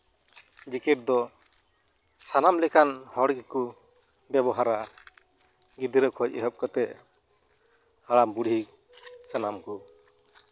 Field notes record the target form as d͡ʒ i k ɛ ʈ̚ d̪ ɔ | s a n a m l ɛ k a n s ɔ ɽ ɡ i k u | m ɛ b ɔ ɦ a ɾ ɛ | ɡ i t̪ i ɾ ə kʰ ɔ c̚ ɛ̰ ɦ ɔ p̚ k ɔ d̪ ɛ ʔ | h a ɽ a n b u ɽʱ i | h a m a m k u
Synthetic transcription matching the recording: d͡ʒ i k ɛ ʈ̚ d̪ ɔ | s a n a m l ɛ k a n h ɔ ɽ ɡ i k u | b ɛ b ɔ ɦ a ɾ a | ɡ i d̪ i ɾ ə kʰ ɔ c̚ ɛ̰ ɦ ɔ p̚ k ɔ t̪ ɛ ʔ | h a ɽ a m b u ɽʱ i | s a n a m k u